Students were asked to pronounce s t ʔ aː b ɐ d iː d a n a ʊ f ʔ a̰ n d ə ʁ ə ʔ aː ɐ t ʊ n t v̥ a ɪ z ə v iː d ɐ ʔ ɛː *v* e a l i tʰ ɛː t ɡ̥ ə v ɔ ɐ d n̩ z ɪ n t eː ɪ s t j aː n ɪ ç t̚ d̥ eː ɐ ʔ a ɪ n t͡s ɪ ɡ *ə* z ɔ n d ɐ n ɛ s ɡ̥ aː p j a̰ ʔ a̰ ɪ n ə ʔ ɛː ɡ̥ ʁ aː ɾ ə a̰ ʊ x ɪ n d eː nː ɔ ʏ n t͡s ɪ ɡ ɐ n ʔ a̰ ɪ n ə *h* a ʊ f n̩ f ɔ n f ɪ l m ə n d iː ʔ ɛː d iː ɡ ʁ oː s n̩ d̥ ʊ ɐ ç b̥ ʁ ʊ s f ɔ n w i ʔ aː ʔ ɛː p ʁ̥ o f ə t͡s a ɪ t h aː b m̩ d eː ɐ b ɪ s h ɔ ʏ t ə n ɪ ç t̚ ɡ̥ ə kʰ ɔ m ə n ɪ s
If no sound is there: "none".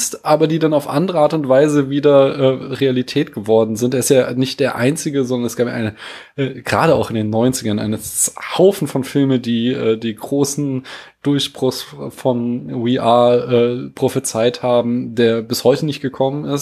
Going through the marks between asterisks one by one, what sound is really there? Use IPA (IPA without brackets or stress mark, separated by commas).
ʁ, ə, h